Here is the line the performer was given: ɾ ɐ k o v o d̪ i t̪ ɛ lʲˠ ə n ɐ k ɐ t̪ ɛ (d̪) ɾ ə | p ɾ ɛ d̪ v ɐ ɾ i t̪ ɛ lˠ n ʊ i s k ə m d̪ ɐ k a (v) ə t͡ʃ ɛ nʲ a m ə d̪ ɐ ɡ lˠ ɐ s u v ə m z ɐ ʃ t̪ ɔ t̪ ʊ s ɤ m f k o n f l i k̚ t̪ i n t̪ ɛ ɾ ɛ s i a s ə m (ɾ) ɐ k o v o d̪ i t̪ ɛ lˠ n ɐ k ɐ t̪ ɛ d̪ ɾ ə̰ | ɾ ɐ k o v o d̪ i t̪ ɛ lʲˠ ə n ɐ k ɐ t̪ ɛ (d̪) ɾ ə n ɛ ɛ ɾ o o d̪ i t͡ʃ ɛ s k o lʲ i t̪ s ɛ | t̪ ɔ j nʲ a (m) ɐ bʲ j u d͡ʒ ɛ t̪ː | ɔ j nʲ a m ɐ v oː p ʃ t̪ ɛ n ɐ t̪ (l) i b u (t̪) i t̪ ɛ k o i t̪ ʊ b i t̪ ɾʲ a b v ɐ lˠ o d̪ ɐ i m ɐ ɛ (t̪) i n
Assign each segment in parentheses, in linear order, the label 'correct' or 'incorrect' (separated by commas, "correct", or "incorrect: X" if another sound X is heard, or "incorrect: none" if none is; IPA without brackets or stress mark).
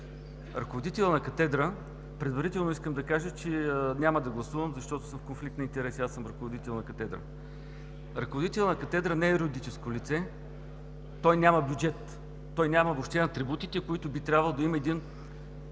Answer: correct, incorrect: ʒ, correct, correct, correct, incorrect: ɾ, correct, incorrect: d̪